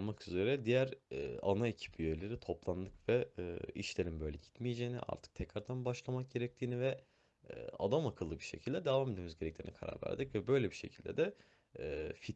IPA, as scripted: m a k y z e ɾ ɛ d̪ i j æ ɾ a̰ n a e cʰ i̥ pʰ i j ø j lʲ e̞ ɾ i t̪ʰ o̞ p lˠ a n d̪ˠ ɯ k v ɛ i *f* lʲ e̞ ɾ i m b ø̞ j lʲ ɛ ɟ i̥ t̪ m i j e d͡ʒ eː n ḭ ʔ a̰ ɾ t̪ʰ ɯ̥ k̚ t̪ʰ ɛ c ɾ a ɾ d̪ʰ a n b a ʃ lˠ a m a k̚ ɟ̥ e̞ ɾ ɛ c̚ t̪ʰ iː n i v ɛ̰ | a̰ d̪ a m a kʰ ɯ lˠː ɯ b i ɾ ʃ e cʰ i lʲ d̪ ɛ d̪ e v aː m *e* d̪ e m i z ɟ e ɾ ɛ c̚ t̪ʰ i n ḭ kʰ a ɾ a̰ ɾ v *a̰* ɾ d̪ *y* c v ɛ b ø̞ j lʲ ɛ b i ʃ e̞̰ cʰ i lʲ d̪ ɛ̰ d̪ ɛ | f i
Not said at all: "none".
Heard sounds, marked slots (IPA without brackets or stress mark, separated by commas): ʃ, e, æ̰, i